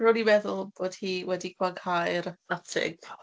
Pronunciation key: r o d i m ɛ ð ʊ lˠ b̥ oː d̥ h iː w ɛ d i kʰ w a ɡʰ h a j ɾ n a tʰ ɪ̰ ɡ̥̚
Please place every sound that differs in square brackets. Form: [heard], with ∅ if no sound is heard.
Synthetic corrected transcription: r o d i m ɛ ð ʊ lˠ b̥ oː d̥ h iː w ɛ d i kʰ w a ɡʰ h a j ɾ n a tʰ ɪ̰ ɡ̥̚